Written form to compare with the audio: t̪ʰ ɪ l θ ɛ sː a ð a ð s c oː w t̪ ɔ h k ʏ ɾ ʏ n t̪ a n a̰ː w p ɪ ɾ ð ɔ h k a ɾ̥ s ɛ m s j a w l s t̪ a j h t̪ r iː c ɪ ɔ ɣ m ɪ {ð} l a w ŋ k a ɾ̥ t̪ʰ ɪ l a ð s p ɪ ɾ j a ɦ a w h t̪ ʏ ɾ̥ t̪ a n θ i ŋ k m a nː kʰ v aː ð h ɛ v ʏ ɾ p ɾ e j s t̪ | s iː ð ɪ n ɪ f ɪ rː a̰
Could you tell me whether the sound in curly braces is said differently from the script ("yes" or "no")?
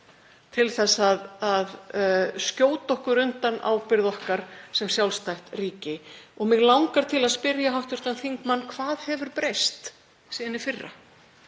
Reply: yes